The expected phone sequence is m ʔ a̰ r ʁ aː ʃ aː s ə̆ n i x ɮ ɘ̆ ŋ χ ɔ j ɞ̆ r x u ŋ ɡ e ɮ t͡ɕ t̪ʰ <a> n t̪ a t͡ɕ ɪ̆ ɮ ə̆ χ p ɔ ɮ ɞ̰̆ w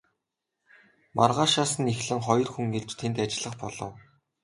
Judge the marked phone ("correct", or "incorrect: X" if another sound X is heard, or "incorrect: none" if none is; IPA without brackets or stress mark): incorrect: e